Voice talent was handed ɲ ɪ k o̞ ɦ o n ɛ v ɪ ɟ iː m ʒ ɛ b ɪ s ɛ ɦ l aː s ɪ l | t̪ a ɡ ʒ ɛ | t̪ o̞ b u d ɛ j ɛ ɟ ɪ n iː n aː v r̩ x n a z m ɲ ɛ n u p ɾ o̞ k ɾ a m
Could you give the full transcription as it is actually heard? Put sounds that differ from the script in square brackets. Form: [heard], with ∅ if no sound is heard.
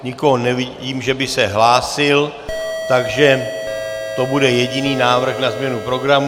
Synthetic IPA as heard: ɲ ɪ k o̞ ɦ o n ɛ v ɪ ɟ iː m ʒ ɛ b ɪ s ɛ ɦ l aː s ɪ l | t̪ a ɡ ʒ ɛ | t̪ o̞ b u d ɛ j ɛ ɟ ɪ n iː n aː v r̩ x n a z m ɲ ɛ n u p ɾ o̞ [ɡ] ɾ a m